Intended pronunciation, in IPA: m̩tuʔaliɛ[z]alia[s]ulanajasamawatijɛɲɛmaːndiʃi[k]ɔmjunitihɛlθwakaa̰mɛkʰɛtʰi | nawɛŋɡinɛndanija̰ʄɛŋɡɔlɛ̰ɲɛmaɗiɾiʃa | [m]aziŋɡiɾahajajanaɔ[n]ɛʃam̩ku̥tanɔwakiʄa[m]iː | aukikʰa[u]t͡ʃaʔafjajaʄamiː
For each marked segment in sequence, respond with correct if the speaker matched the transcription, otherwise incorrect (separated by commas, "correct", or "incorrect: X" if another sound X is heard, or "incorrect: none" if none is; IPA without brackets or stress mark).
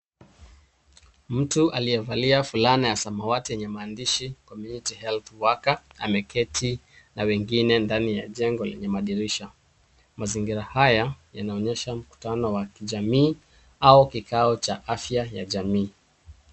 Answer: incorrect: v, incorrect: f, correct, correct, incorrect: ɲ, correct, incorrect: ɔ